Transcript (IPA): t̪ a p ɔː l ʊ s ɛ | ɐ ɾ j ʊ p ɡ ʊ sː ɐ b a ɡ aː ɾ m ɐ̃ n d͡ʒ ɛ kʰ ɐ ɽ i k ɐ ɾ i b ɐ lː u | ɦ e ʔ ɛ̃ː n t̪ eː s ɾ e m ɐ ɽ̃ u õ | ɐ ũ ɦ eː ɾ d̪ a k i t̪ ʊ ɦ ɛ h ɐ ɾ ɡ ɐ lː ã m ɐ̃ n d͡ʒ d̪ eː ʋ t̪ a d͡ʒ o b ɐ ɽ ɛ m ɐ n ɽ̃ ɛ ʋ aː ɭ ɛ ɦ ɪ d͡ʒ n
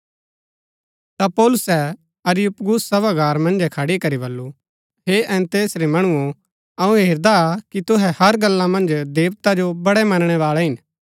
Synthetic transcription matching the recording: t̪ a p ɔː l ʊ s ɛ | ɐ ɾ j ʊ p ɡ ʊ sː ɐ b a ɡ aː ɾ m ɐ̃ n d͡ʒ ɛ kʰ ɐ ɽ i k ɐ ɾ i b ɐ lː u | ɦ e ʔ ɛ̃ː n t̪ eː s ɾ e m ɐ ɽ̃ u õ | ɐ ũ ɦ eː ɾ d̪ a k i t̪ ʊ ɦ ɛ h ɐ ɾ ɡ ɐ lː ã m ɐ̃ n d͡ʒ d̪ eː ʋ t̪ a d͡ʒ o b ɐ ɽ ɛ m ɐ n ɽ̃ ɛ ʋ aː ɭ ɛ ɦ ɪ n